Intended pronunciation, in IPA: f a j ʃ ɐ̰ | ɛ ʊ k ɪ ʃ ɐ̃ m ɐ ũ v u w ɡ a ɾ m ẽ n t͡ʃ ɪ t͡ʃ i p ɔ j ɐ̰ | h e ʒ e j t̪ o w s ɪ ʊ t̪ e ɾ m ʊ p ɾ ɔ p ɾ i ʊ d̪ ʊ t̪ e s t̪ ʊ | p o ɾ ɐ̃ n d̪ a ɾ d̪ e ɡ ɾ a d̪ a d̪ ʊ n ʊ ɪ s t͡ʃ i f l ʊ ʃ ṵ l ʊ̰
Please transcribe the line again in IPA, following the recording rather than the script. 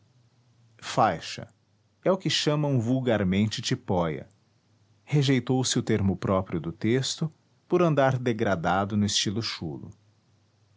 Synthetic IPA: f a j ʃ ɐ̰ | ɛ ʊ k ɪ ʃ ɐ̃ m ɐ ũ v u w ɡ a ɾ m ẽ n t͡ʃ ɪ t͡ʃ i p ɔ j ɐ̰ | h e ʒ e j t̪ o w s ɪ ʊ t̪ e ɾ m ʊ p ɾ ɔ p ɾ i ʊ d̪ ʊ t̪ e s t̪ ʊ | p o ɾ ɐ̃ n d̪ a ɾ d̪ e ɡ ɾ a d̪ a d̪ ʊ n ʊ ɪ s t͡ʃ i l ʊ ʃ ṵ l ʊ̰